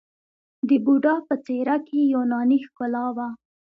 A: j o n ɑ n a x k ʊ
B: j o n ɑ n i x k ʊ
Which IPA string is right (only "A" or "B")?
B